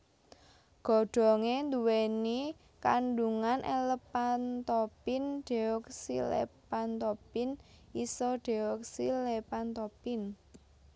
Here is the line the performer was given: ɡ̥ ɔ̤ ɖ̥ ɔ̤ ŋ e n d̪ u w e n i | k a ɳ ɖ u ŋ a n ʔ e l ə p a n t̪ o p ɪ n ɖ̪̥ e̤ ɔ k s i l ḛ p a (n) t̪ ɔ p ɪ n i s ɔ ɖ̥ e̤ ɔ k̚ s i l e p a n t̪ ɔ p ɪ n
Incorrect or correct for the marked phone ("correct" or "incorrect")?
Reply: correct